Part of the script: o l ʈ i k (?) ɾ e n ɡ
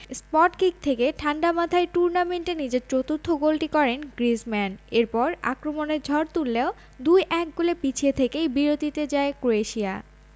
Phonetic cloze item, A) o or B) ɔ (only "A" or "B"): B